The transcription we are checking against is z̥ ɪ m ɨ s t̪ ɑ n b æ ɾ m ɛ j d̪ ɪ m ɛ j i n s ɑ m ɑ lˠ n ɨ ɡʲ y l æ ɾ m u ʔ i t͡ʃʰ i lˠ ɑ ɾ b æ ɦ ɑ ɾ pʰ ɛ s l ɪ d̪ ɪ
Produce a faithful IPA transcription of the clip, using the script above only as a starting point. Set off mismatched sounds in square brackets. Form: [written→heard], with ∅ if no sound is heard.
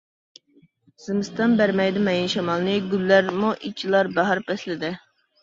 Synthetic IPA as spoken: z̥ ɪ m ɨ s t̪ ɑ n b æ ɾ m ɛ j d̪ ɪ m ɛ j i n [s→ʃ] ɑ m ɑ lˠ n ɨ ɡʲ y [l→lː] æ ɾ m u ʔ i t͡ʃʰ i lˠ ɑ ɾ b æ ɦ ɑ ɾ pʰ ɛ s l ɪ d̪ ɪ